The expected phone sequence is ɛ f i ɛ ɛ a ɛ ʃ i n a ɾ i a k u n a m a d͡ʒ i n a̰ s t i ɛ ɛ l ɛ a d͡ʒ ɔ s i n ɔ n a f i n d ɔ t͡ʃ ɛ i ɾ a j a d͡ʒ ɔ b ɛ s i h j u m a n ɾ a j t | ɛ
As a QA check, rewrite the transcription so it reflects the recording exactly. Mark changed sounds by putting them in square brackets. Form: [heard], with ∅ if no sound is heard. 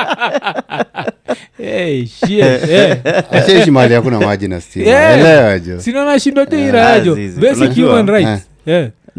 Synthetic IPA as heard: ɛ [ʃ] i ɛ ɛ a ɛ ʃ i [m] a [l] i a k u n a m a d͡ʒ i n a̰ s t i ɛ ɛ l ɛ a d͡ʒ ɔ s i n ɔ n a [ʃ] i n d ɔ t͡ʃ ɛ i ɾ a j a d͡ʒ ɔ b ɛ s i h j u m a n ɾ a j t | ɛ